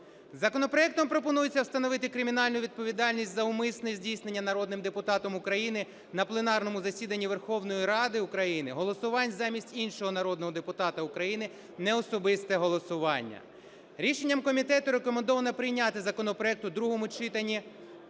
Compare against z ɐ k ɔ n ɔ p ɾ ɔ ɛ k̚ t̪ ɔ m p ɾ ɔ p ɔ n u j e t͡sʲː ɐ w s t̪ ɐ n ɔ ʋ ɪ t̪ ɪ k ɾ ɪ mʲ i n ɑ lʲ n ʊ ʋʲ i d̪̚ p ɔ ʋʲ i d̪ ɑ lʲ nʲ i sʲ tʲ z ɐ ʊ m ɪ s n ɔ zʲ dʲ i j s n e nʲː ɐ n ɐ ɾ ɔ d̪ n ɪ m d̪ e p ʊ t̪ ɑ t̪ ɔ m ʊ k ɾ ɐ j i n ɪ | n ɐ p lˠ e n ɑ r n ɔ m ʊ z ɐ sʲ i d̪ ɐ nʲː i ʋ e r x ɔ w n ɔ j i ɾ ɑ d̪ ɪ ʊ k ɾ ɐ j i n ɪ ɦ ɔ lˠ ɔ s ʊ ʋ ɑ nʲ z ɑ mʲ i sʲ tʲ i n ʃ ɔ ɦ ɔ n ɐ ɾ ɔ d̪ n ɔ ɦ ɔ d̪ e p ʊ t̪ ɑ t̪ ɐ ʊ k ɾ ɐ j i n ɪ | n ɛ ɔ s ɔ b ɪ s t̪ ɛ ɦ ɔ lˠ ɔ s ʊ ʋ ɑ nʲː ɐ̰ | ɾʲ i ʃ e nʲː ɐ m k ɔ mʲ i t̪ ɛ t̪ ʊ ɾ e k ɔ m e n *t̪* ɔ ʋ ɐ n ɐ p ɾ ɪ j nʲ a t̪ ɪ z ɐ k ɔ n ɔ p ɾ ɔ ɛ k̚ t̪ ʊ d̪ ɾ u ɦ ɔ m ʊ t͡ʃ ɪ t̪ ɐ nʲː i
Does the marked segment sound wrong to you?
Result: yes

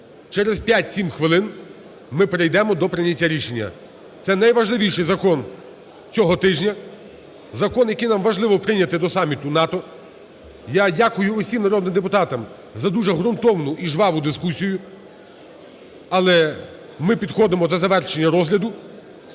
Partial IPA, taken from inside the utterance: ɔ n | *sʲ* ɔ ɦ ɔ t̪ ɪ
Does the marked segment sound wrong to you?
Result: yes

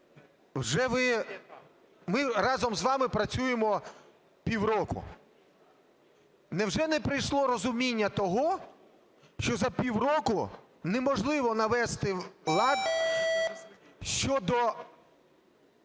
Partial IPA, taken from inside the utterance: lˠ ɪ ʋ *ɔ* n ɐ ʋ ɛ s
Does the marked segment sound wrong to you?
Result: no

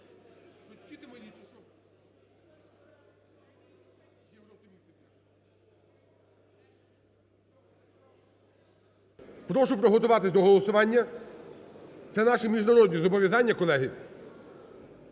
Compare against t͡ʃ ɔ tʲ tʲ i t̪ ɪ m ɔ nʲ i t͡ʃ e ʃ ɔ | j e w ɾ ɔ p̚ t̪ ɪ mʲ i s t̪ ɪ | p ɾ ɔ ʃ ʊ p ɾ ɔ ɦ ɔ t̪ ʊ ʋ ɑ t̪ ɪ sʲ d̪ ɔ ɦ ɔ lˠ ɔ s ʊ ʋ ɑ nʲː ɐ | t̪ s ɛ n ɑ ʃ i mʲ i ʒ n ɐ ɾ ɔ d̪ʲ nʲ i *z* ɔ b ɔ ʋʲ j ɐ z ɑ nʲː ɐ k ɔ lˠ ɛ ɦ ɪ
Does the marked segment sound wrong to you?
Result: no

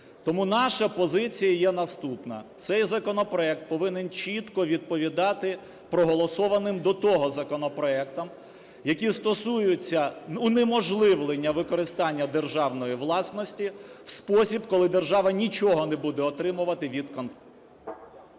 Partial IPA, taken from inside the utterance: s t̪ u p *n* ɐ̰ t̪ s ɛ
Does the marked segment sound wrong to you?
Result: no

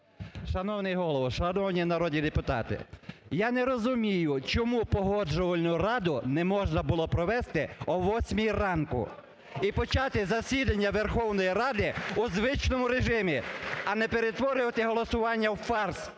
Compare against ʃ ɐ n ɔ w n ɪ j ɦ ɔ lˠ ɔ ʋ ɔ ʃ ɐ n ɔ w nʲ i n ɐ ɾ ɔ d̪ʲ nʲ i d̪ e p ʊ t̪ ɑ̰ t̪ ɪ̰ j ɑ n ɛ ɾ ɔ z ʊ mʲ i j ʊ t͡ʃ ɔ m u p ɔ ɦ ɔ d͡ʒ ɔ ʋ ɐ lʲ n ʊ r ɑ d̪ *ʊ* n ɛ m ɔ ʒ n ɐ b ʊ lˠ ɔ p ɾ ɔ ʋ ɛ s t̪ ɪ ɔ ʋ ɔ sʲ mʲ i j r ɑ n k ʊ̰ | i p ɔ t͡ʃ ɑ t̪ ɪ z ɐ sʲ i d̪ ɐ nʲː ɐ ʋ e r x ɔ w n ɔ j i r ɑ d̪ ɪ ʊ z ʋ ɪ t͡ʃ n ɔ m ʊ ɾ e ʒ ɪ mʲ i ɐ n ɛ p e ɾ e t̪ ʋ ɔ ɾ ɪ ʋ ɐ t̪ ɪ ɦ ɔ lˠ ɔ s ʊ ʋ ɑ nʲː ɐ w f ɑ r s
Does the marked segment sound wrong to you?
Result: no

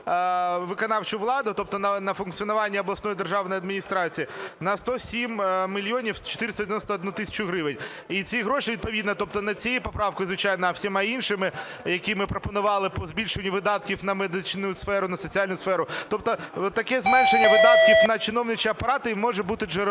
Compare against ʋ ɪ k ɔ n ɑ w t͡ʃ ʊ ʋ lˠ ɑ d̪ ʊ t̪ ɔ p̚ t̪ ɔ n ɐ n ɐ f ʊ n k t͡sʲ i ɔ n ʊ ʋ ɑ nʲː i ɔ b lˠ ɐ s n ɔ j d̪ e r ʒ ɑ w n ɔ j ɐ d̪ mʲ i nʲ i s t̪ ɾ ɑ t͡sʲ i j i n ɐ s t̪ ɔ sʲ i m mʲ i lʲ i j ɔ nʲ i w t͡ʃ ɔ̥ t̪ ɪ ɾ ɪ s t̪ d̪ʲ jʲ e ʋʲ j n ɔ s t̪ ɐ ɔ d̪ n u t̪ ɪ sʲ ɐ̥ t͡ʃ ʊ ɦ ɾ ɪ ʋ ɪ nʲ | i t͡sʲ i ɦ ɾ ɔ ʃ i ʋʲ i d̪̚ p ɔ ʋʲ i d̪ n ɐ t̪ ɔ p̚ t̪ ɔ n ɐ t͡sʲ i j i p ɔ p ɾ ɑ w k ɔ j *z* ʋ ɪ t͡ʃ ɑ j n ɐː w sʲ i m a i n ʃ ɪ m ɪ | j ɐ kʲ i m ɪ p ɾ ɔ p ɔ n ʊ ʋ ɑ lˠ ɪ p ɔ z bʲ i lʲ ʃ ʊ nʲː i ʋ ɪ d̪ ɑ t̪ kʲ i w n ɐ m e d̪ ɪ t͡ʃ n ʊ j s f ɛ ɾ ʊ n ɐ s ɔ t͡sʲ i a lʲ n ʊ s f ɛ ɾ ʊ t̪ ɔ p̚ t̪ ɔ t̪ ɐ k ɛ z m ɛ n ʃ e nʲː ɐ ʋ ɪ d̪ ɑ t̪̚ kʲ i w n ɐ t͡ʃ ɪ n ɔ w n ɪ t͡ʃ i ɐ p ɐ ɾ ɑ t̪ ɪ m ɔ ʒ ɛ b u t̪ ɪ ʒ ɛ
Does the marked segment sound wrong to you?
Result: no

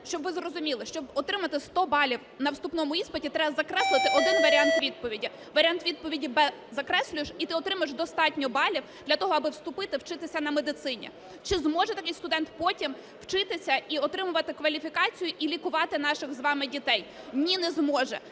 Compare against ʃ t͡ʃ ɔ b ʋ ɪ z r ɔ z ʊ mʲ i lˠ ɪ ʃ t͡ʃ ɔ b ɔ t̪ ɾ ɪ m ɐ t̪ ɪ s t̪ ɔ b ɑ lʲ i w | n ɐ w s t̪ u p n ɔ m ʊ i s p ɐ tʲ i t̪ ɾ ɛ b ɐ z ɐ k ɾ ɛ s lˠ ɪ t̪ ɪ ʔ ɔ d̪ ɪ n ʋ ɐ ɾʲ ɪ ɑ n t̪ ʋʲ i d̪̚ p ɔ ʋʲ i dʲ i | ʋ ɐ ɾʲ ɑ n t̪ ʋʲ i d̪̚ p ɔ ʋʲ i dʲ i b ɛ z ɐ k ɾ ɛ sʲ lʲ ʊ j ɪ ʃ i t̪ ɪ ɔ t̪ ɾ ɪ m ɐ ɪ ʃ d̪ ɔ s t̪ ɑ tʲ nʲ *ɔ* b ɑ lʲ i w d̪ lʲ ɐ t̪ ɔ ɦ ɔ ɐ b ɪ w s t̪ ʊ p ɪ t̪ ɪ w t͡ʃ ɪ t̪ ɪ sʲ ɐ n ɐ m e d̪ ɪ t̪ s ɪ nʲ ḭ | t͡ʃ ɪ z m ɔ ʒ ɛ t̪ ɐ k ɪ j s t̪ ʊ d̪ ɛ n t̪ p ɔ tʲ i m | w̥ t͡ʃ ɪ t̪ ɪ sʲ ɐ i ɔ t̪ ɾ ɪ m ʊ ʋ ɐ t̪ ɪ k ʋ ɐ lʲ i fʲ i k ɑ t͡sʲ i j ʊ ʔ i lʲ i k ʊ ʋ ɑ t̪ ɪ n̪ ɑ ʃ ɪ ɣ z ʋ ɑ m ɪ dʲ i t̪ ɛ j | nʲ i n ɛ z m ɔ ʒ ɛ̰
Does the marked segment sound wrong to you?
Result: no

